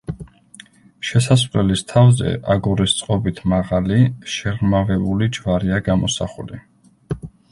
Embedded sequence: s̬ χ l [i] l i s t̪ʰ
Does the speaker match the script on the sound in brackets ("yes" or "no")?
no